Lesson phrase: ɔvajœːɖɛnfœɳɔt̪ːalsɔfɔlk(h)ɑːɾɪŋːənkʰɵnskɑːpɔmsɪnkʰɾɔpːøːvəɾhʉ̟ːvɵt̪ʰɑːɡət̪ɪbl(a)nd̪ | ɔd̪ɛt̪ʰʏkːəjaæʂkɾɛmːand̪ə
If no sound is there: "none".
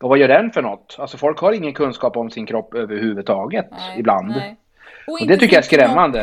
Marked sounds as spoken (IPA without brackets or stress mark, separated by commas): h, a